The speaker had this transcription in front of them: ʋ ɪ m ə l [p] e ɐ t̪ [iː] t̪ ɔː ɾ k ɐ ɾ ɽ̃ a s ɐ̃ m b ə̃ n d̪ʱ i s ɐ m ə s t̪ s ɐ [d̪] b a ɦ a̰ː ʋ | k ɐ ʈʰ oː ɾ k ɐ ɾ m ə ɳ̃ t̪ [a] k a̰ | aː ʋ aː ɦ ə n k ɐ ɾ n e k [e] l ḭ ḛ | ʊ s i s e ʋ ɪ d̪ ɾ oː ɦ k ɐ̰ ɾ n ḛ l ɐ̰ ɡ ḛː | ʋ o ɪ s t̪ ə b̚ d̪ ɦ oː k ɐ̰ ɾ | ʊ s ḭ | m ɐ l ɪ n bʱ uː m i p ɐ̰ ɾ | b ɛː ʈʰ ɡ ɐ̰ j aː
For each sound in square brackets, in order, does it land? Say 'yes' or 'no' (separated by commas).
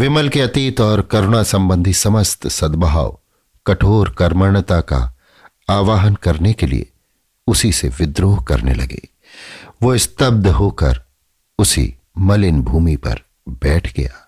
no, yes, yes, yes, yes